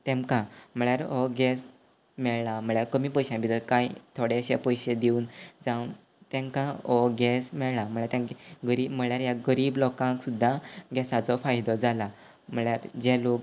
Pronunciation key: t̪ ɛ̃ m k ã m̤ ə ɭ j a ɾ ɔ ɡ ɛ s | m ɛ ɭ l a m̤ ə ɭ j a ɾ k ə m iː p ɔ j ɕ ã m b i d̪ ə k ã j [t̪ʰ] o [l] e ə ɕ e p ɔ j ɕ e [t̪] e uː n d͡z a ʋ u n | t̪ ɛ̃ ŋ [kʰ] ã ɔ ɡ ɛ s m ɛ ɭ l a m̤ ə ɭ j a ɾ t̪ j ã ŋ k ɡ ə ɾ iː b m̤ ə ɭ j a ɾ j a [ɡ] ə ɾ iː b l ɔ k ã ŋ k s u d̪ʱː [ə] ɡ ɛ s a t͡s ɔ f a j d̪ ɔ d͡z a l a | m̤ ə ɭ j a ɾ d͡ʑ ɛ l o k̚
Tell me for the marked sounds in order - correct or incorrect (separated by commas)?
correct, incorrect, incorrect, incorrect, correct, incorrect